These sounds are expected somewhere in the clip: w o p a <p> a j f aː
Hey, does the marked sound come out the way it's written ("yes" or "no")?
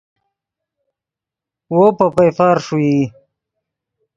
yes